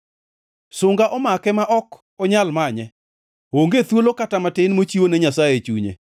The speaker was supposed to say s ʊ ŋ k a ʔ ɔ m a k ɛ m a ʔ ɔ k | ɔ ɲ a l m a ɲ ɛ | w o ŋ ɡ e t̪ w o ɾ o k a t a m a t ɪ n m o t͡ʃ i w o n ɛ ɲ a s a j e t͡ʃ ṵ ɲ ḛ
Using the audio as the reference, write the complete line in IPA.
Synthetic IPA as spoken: s ʊ ŋ ɡ a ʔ ɔ m a k ɛ m a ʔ ɔ k | ɔ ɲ a l m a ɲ ɛ | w o ŋ ɡ e t̪ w o l o k a t a m a t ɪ n m o t͡ʃ i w o n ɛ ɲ a s a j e t͡ʃ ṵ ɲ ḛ